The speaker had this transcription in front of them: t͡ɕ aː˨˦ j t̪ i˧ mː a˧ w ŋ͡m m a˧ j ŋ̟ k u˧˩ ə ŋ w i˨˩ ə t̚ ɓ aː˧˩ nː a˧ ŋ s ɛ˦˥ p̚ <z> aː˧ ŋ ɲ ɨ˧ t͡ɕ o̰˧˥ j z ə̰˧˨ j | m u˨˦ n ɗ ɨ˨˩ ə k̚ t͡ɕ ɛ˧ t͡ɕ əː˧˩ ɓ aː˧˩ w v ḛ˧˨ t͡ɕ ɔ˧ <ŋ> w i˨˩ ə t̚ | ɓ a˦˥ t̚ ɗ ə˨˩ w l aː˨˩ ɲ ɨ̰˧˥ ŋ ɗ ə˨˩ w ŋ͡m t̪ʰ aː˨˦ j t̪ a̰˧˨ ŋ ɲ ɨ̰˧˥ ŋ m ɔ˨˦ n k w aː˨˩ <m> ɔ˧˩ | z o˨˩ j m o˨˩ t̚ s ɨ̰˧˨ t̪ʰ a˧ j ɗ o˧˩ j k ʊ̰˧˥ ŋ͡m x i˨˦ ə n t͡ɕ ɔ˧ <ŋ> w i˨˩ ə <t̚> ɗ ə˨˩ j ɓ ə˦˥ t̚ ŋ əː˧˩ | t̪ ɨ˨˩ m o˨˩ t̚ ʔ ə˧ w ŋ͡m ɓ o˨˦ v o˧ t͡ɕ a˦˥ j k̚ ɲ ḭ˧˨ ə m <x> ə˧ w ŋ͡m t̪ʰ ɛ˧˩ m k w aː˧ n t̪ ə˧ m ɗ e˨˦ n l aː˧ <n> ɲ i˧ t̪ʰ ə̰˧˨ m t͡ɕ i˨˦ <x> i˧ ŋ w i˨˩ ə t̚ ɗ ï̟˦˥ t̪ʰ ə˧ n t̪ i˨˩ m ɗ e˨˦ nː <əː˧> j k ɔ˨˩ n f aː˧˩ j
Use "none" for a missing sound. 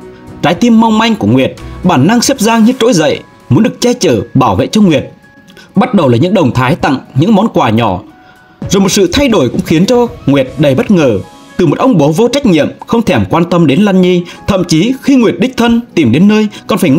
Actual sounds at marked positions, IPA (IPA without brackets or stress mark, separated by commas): z, ŋ, ɲ, ŋ, t̚, x, n, x, əː˧